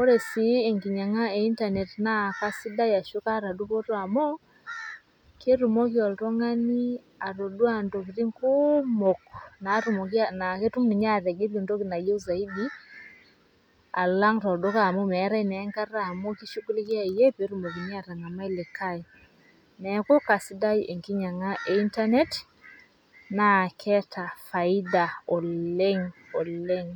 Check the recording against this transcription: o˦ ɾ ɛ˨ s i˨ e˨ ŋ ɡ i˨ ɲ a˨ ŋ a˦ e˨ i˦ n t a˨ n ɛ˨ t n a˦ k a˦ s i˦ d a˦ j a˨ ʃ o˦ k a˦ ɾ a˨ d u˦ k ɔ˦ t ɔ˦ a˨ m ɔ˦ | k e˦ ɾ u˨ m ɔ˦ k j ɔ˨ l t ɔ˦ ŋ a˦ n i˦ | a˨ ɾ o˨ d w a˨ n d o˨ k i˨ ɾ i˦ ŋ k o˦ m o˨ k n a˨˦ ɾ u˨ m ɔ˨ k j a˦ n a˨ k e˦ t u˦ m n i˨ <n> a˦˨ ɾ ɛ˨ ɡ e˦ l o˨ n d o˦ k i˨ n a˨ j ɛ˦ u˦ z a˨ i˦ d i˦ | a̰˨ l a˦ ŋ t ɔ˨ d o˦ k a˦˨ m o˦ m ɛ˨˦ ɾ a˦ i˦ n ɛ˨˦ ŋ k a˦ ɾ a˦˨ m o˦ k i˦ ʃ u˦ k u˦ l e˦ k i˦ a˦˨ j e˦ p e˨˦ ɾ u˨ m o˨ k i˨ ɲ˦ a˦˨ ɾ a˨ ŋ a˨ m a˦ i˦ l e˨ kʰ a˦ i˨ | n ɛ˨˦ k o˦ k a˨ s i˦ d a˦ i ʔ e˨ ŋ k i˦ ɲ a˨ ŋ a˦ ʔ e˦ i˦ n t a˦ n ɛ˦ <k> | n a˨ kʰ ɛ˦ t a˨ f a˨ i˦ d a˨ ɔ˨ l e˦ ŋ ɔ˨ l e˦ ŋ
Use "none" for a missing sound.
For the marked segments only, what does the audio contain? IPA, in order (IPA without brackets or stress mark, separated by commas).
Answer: ɲ, t